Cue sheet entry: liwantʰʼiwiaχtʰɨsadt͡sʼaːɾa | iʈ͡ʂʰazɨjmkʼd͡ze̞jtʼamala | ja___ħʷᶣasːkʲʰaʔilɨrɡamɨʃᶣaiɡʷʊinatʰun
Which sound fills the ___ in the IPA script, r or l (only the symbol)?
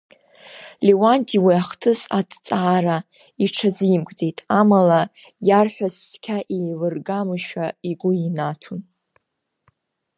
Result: r